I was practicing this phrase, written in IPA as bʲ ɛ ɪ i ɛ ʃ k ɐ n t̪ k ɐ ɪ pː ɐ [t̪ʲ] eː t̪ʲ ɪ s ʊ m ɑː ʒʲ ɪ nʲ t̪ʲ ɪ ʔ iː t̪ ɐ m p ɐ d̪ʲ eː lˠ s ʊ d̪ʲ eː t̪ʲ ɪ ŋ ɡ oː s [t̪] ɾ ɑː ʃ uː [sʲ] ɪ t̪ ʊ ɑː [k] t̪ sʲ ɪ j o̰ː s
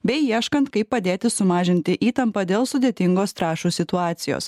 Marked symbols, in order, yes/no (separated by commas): no, yes, yes, no